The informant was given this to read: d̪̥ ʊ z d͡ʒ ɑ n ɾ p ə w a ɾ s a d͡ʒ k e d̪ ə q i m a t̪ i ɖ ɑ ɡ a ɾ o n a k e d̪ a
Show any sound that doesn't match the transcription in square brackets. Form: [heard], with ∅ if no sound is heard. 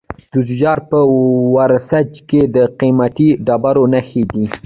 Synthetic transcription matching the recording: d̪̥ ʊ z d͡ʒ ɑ [∅] ɾ p ə w a ɾ s a d͡ʒ k e d̪ ə q i m a t̪ i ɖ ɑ [b] a ɾ o n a [x] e d̪ [i]